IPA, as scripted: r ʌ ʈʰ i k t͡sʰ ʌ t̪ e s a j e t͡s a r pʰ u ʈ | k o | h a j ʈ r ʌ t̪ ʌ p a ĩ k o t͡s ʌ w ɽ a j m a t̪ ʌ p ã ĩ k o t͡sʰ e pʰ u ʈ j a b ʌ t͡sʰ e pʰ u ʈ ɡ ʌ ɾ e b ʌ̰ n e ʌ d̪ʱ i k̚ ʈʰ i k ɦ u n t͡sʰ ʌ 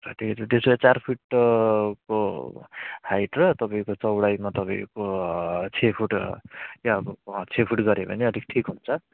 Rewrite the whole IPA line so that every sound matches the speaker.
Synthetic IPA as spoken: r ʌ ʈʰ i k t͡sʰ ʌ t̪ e s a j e t͡s a r pʰ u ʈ | k o | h a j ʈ r ʌ t̪ ʌ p a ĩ k o t͡s ʌ w ɽ a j m a t̪ ʌ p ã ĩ k o t͡sʰ e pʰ u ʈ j a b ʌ t͡sʰ e pʰ u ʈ ɡ ʌ ɾ e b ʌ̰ n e ʌ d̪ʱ i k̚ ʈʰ i k ɦ u n t͡sʰ ʌ